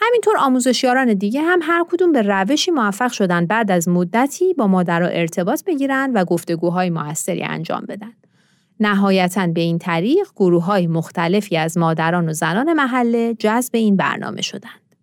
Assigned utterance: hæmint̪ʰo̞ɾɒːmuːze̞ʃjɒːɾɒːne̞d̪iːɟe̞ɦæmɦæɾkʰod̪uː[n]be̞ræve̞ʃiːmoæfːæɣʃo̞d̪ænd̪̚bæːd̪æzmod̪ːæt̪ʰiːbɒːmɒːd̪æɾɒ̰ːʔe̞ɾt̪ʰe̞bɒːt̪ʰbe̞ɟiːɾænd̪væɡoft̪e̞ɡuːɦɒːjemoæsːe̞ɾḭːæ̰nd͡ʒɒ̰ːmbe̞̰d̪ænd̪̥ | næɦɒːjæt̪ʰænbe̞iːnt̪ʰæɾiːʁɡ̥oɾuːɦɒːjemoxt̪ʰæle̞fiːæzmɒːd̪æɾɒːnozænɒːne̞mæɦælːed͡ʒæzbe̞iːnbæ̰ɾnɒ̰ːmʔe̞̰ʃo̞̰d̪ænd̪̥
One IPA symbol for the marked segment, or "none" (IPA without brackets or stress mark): m